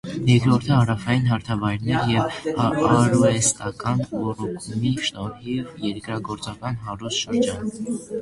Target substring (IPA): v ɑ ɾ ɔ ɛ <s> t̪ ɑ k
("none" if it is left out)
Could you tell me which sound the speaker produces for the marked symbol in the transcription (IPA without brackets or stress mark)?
s